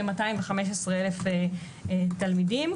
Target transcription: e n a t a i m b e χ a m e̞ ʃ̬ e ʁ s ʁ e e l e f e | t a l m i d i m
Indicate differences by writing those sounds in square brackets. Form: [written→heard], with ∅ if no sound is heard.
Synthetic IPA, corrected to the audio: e [n→m] a t a i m [b→v] e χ a m e̞ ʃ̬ e [ʁ→∅] s ʁ e e l e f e | t a l m i d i m